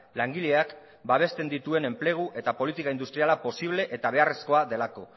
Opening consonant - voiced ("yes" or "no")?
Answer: yes